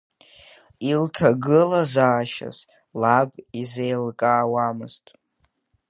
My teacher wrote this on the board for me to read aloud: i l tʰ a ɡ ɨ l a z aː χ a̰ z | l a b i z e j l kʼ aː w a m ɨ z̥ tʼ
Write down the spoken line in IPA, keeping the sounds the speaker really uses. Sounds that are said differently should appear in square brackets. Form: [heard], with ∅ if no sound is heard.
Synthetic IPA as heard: i l tʰ a ɡ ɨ l a z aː [ʃ] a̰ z | l a b i z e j l kʼ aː w a m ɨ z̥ tʼ